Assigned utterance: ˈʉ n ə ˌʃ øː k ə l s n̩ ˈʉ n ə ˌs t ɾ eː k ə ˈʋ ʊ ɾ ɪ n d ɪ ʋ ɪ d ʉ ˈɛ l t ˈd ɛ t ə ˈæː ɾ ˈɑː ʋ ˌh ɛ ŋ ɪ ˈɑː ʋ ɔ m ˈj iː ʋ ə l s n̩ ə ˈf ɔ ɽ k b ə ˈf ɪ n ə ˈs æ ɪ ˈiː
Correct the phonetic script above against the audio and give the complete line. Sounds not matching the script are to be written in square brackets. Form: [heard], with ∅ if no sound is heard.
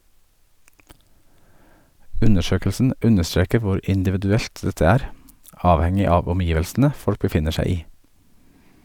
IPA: ˈʉ n ə ˌʃ øː k ə l s n̩ ˈʉ n ə ˌs t ɾ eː k ə ˈʋ ʊ ɾ ɪ n d ɪ ʋ ɪ d ʉ ˈɛ l t ˈd ɛ t ə ˈæː ɾ ˈɑː ʋ ˌh ɛ ŋ ɪ ˈɑː ʋ ɔ m ˈj iː ʋ ə l s n̩ ə ˈf ɔ ɽ k b ə ˈf ɪ n ə [ˈʃ] æ ɪ ˈiː